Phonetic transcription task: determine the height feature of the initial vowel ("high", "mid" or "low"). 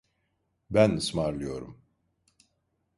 low